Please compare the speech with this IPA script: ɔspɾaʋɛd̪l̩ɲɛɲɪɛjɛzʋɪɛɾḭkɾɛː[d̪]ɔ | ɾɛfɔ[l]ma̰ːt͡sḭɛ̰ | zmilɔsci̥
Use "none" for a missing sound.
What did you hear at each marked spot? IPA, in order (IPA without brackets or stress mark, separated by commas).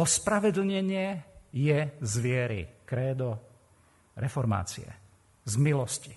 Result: d̪, ɾ